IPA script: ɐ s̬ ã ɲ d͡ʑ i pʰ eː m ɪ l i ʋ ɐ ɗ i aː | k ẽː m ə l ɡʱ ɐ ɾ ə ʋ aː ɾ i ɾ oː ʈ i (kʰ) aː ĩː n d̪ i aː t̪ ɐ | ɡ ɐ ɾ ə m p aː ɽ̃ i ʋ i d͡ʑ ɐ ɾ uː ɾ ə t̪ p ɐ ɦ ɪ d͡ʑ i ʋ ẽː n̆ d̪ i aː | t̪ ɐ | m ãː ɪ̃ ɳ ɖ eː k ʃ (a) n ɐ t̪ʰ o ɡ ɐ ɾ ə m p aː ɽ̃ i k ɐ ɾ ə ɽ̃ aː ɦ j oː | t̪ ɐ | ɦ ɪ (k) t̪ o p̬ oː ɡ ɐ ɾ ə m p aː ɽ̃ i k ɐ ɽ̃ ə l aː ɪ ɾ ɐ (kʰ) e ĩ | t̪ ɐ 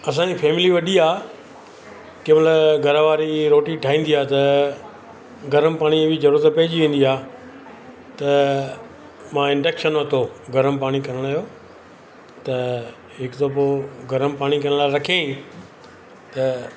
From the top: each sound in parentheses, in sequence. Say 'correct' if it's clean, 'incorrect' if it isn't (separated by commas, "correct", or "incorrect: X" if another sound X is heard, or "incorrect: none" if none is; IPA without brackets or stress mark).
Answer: incorrect: ʈʰ, incorrect: ə, correct, correct